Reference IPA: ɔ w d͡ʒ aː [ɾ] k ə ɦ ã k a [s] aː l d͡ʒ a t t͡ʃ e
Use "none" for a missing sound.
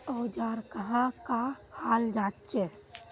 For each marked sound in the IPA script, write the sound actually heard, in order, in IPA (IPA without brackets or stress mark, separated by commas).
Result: ɾ, h